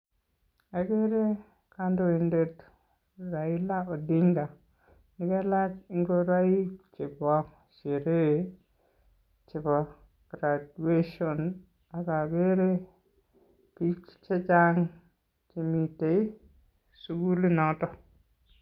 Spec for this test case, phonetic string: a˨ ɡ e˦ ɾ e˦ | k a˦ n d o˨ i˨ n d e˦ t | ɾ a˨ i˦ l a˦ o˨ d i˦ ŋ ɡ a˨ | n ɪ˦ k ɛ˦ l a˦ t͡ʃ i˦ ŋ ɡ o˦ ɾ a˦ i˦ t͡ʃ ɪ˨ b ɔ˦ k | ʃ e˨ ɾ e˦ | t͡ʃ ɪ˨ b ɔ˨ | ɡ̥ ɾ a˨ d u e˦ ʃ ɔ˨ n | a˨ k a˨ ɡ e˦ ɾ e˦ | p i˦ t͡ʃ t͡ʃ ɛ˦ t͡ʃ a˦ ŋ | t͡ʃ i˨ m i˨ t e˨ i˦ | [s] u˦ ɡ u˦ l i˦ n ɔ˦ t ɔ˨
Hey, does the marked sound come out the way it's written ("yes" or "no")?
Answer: yes